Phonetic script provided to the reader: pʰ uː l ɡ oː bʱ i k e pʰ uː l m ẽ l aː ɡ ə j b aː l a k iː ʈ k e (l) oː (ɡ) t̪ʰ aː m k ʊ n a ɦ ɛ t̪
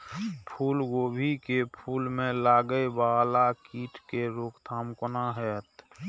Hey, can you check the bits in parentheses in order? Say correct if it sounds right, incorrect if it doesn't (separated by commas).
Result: incorrect, incorrect